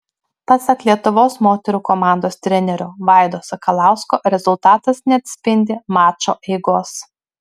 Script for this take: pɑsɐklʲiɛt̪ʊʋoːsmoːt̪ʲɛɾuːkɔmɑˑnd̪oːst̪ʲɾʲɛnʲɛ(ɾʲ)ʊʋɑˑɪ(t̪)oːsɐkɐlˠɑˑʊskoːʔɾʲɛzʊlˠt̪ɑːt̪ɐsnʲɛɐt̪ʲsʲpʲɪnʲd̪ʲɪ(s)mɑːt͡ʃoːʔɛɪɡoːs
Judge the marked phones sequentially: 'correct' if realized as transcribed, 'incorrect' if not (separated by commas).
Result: correct, incorrect, incorrect